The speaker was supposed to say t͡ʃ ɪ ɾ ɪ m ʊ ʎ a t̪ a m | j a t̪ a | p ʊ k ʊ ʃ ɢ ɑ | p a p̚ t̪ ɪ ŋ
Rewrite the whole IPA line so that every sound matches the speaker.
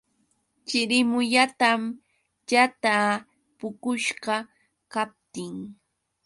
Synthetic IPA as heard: t͡ʃ ɪ ɾ ɪ m ʊ ʎ a t̪ a m | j a t̪ a | p ʊ k ʊ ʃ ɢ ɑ | k a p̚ t̪ ɪ ŋ